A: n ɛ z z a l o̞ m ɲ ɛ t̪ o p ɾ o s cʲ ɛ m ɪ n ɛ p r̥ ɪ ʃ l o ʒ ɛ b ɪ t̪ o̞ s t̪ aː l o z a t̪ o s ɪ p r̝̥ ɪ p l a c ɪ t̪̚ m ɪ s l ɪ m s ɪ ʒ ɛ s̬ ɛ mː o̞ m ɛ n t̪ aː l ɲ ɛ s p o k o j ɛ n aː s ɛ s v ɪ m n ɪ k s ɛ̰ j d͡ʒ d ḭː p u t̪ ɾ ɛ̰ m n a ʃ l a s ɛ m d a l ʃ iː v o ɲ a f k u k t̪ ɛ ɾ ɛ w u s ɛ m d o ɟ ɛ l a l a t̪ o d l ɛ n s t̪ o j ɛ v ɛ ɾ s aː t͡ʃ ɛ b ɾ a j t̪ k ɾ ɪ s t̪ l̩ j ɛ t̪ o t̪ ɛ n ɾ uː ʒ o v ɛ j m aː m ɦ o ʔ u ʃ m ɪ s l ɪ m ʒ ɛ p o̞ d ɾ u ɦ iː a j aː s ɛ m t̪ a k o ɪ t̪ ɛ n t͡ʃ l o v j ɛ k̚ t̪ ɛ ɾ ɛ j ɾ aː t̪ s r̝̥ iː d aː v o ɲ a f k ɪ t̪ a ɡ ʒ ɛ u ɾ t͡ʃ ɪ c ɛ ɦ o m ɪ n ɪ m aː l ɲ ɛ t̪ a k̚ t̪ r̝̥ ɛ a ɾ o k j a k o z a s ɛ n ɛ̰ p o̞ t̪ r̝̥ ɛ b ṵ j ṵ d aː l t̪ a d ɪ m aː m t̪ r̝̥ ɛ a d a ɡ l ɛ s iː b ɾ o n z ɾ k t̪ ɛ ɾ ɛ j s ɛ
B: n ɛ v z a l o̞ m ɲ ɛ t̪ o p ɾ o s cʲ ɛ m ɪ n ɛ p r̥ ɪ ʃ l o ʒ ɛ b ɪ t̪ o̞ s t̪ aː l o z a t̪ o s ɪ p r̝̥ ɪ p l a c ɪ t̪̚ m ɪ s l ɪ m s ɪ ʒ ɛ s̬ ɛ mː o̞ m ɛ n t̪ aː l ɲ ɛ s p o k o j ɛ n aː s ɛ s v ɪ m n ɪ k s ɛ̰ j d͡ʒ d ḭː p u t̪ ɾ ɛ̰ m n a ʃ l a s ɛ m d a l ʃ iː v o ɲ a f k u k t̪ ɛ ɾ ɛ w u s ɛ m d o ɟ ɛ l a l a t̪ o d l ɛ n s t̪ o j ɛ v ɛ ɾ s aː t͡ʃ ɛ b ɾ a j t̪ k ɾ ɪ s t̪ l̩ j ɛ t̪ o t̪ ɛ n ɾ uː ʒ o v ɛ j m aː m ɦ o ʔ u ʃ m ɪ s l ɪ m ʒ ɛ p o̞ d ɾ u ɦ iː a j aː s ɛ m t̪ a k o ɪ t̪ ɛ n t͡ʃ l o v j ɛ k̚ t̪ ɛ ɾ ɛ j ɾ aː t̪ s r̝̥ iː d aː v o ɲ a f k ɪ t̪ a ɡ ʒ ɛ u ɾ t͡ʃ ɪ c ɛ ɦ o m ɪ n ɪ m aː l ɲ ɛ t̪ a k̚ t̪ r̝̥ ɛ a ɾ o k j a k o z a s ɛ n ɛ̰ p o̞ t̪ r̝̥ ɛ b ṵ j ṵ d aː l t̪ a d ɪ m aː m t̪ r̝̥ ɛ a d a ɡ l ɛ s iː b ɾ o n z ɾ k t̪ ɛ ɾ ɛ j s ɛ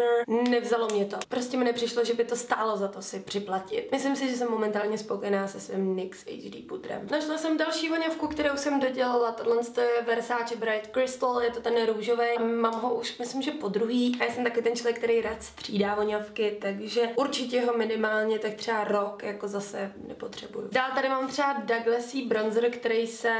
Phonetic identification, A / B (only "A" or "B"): B